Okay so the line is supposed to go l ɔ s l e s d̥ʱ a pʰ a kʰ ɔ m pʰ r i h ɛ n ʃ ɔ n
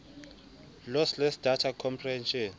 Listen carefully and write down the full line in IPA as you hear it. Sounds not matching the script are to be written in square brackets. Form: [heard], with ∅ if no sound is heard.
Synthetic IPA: l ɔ s l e s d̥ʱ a [tʰ] a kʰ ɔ m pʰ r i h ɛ n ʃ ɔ n